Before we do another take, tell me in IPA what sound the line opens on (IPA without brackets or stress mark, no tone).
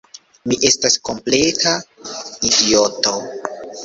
m